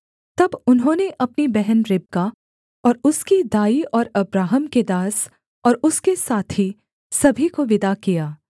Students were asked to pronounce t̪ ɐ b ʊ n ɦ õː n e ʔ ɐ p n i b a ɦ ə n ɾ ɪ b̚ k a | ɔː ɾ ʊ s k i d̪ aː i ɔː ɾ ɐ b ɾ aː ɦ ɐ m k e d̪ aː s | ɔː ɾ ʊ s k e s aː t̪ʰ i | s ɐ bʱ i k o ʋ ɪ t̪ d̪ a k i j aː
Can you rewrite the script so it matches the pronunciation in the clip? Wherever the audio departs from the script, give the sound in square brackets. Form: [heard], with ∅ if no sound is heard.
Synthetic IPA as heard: t̪ ɐ b ʊ n ɦ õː n e ʔ ɐ p n i b [ɛ] ɦ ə n ɾ ɪ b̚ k a | ɔː ɾ ʊ s k i d̪ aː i ɔː ɾ ɐ b ɾ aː ɦ [ə] m k e d̪ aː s | ɔː ɾ ʊ s k e s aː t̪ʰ i | s ɐ bʱ i k o ʋ ɪ [∅] d̪ a k i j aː